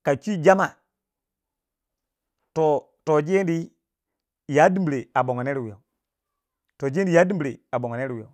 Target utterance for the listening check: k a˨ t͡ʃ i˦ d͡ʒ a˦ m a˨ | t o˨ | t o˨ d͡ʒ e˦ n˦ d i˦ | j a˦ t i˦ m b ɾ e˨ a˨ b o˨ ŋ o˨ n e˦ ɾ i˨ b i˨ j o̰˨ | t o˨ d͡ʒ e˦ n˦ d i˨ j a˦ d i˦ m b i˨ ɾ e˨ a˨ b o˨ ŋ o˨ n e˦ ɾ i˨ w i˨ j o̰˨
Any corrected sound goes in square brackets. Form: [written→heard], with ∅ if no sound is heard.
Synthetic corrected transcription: k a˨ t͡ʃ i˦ d͡ʒ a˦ m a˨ | t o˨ | t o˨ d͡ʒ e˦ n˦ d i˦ | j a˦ [t→d] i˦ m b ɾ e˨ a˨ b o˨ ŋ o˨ n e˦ ɾ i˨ [b→w] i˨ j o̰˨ | t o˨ d͡ʒ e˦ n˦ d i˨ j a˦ d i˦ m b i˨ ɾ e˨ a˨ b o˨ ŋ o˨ n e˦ ɾ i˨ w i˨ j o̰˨